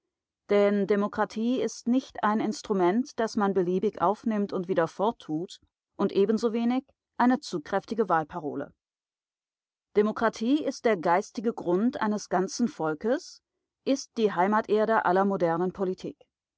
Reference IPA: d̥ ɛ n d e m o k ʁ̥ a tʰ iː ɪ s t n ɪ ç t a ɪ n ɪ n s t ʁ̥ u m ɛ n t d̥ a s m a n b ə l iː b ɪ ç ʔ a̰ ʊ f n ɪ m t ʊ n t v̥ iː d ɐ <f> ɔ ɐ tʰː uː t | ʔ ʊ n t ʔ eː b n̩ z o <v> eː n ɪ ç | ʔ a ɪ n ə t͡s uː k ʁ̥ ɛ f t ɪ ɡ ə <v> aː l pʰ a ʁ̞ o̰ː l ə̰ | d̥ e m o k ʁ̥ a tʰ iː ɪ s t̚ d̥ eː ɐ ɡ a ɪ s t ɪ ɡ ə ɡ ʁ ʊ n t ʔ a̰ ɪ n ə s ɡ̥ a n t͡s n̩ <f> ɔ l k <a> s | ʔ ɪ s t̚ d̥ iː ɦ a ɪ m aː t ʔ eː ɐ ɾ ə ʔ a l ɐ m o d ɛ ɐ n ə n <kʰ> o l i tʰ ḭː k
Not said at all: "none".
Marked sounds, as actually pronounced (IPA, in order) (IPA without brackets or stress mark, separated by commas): f, v, v, f, ə, pʰ